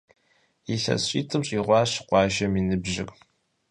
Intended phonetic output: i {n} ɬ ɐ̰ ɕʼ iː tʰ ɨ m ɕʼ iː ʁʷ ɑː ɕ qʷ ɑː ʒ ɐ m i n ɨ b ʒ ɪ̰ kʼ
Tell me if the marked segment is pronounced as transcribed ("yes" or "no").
no